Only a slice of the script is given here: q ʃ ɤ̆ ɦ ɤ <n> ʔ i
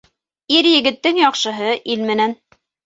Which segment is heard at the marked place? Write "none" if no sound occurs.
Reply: none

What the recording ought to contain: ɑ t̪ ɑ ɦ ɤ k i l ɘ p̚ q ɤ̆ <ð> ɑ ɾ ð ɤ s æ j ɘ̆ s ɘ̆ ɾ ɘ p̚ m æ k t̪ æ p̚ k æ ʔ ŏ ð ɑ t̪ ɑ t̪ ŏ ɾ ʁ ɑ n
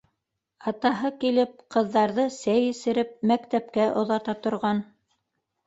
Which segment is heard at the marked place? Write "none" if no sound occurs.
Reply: ðː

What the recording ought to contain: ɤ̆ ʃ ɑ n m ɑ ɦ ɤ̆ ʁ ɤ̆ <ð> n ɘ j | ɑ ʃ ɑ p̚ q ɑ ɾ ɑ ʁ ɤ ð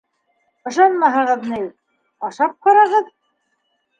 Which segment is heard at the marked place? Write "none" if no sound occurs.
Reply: ð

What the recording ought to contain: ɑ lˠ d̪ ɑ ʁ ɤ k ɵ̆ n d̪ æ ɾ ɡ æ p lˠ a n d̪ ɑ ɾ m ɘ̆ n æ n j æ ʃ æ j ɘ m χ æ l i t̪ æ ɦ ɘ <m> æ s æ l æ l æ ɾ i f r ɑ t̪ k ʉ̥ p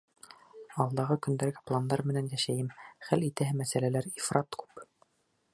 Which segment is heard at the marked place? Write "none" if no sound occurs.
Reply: m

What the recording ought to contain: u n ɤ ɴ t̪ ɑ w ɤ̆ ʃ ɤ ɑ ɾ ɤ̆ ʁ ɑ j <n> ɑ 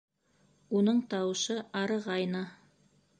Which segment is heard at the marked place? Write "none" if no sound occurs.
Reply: n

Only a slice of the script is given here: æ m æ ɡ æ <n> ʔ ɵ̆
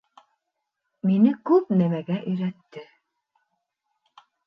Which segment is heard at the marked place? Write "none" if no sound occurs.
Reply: none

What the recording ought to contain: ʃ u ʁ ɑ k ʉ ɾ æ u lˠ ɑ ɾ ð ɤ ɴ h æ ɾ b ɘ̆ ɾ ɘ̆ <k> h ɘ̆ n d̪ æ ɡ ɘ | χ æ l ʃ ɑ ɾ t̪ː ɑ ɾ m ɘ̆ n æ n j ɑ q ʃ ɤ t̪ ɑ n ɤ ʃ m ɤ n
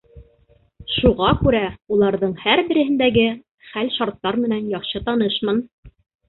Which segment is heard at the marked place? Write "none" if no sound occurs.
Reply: none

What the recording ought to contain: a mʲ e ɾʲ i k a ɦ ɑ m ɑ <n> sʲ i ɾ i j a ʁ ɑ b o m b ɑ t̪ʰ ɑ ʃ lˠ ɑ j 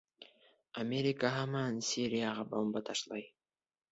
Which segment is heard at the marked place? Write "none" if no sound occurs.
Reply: n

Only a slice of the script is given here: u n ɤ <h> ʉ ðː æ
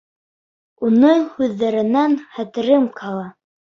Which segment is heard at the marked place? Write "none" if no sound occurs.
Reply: h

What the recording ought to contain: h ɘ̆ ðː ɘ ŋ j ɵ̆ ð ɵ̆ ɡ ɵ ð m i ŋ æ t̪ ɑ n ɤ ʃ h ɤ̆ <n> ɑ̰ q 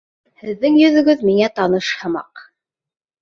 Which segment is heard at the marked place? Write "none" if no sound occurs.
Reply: m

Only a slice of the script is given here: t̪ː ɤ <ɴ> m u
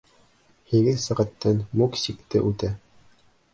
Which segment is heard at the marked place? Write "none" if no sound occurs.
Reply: n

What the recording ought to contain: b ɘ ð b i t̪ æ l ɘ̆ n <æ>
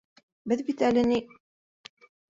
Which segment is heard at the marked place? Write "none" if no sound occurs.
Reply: i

